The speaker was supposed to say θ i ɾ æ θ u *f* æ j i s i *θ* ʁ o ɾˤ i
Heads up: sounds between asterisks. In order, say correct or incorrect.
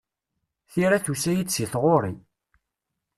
incorrect, correct

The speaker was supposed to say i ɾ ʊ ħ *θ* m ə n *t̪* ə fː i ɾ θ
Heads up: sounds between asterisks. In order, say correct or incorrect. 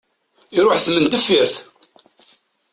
correct, correct

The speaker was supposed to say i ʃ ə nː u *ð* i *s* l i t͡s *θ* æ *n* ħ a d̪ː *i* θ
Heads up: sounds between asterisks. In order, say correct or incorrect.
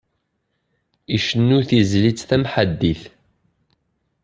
incorrect, incorrect, correct, incorrect, correct

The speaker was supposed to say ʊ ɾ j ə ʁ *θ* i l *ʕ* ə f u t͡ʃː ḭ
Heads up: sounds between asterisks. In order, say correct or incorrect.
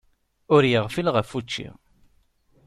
incorrect, incorrect

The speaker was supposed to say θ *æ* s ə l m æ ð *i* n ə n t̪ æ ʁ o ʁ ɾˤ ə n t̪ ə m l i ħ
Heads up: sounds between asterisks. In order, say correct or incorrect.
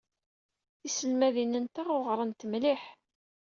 incorrect, correct

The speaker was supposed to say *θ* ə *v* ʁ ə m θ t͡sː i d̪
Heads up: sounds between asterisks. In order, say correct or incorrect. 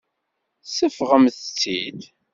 incorrect, incorrect

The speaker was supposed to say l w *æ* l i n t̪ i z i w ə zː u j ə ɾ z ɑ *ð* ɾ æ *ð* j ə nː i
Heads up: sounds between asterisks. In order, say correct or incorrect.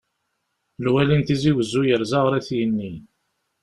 correct, incorrect, incorrect

